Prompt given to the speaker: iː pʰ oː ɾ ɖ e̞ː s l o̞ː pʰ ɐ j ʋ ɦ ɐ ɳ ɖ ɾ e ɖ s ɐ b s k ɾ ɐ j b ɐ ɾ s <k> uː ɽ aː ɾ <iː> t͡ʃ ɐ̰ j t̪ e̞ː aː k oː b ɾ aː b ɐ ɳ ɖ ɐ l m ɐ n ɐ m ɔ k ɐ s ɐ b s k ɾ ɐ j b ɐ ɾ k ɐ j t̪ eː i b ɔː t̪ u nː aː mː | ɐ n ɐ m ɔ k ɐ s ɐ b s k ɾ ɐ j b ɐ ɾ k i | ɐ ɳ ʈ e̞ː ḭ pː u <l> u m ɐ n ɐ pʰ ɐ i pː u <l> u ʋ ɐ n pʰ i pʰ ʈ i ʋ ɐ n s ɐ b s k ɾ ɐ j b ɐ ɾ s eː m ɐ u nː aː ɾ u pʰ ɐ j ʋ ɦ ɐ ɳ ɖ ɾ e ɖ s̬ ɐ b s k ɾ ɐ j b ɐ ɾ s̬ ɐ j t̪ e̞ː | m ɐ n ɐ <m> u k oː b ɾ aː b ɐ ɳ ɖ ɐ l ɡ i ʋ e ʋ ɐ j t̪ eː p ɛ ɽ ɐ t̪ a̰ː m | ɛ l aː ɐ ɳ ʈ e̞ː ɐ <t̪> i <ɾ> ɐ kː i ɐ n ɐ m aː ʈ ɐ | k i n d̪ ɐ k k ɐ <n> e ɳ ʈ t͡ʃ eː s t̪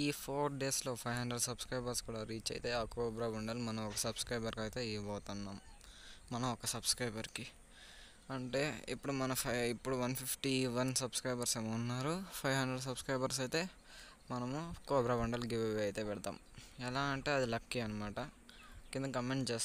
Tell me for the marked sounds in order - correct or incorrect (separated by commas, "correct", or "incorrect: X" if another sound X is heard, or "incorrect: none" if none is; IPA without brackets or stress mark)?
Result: correct, correct, incorrect: ɽ, incorrect: ɽ, correct, incorrect: d̪, incorrect: l, incorrect: m